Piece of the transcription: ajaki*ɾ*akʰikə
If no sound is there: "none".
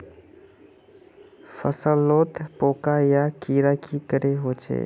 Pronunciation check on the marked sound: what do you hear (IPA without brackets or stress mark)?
ɾ